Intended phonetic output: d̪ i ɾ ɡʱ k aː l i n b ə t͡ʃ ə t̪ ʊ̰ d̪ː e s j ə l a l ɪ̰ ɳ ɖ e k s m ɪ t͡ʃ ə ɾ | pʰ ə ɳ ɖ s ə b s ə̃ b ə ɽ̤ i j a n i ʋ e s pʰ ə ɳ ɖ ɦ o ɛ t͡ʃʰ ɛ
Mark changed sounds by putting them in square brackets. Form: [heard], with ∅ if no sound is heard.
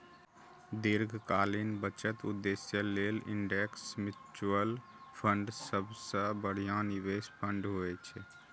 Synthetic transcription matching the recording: d̪ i ɾ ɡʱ k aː l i n b ə t͡ʃ ə t̪ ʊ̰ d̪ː e s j ə l [e] l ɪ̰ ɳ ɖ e k s m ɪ t͡ʃ ə [l] | pʰ ə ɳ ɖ s ə b s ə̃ b ə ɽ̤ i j a n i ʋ e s pʰ ə ɳ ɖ ɦ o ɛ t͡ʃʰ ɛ